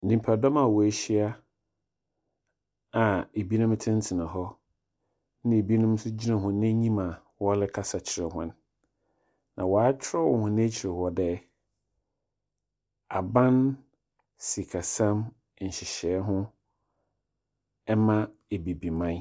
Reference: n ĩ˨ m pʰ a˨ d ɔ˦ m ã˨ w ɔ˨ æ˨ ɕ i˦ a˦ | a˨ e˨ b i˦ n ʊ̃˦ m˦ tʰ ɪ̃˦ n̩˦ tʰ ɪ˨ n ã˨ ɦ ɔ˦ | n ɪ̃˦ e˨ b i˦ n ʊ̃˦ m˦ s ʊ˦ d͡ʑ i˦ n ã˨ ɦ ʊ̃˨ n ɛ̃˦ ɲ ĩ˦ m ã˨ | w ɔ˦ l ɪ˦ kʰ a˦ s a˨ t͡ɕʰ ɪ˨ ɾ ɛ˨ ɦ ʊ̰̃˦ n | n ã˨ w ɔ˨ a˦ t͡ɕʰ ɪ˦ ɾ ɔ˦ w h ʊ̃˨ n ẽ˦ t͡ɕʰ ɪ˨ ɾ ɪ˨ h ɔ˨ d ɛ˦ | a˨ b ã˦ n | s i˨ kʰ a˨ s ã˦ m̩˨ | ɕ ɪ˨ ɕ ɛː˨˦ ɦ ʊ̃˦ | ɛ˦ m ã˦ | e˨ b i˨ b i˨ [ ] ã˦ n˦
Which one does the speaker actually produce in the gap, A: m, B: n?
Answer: A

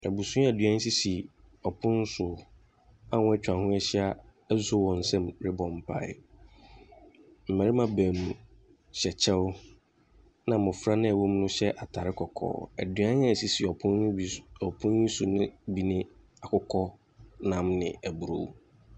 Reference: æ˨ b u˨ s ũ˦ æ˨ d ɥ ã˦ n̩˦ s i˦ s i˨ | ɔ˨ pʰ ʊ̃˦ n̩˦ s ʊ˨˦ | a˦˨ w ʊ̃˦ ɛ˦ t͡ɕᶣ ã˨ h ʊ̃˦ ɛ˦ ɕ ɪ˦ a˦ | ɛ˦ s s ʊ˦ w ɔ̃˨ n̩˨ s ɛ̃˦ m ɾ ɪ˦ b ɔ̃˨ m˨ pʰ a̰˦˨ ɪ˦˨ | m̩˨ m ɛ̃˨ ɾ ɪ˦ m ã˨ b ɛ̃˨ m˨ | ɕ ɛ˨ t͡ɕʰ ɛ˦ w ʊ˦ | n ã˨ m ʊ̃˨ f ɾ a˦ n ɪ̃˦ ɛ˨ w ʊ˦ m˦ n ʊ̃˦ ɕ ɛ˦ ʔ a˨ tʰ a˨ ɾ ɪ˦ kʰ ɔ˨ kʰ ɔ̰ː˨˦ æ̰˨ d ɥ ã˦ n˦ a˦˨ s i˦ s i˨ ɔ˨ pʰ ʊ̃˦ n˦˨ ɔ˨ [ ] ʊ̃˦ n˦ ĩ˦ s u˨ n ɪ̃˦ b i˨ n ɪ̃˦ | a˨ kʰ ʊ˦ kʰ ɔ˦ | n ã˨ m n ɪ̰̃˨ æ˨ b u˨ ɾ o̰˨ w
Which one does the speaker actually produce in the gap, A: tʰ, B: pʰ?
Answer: B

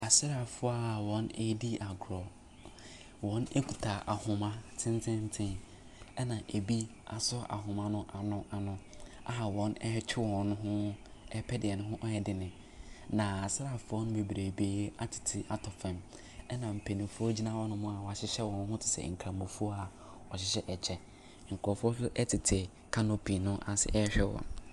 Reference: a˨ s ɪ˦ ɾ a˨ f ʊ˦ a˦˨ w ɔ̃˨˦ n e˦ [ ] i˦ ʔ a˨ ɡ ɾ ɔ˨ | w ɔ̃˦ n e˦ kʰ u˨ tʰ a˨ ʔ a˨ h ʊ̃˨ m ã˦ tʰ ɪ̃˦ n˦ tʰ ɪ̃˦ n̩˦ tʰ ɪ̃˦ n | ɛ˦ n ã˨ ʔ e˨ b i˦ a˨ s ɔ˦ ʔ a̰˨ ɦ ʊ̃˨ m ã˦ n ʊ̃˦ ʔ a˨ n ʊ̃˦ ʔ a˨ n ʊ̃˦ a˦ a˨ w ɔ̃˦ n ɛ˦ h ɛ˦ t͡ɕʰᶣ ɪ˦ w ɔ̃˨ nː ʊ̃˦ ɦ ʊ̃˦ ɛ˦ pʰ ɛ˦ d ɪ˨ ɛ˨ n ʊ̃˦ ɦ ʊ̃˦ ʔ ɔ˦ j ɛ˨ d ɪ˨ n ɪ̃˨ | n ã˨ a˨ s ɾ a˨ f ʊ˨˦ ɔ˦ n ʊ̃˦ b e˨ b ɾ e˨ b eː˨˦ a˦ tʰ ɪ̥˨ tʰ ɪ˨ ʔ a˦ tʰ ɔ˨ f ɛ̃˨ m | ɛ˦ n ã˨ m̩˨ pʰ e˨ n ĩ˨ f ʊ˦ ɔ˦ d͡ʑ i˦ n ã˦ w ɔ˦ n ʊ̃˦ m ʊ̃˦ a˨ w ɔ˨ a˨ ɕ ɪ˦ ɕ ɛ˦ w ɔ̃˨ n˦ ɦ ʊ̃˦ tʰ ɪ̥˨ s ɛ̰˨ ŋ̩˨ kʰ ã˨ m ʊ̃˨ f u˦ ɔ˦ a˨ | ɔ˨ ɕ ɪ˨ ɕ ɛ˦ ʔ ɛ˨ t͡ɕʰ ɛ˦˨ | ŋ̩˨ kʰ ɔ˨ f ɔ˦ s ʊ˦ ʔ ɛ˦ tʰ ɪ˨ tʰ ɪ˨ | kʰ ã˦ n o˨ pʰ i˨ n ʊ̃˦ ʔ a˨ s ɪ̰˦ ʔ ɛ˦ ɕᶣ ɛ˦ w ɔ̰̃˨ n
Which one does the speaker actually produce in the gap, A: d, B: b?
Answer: A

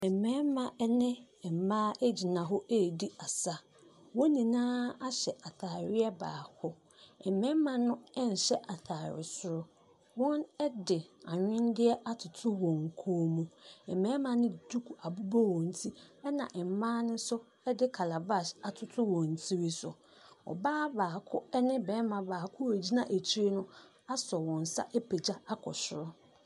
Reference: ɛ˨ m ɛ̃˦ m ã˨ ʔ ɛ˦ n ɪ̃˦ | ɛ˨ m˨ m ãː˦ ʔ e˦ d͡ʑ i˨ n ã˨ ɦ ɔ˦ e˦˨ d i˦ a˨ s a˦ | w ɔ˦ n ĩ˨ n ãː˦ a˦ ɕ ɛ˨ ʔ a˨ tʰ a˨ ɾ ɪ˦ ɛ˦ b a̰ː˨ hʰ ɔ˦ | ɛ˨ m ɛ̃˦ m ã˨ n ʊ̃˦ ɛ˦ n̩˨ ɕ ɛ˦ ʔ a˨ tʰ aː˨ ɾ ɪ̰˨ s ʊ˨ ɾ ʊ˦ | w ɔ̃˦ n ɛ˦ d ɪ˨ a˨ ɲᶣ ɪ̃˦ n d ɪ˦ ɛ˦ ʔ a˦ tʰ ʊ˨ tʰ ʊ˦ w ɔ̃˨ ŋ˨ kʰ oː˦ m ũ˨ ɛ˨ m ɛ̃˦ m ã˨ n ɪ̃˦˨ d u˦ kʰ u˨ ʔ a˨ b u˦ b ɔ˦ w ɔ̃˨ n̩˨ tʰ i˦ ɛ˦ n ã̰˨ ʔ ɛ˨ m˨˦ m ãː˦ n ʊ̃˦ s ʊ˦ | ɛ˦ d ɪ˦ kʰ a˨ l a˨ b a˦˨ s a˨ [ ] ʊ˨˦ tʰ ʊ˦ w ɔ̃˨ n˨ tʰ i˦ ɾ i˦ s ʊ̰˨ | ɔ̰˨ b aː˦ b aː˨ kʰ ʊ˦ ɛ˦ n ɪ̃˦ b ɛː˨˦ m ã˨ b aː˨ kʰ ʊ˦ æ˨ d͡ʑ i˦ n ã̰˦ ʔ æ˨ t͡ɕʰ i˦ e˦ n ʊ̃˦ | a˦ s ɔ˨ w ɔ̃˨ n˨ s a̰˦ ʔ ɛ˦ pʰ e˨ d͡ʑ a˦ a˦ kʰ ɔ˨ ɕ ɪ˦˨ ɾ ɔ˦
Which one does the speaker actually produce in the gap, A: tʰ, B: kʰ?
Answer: A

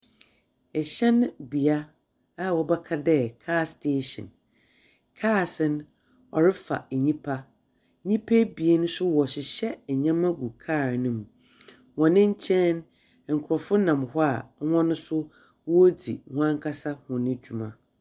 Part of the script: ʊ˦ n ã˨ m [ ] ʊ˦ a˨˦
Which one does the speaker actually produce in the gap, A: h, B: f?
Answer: A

